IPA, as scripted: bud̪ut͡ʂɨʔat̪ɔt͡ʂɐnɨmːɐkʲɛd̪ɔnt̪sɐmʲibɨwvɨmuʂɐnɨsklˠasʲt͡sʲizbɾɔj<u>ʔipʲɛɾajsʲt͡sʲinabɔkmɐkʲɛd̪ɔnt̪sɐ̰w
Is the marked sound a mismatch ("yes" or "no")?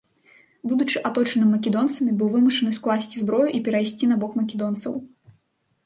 no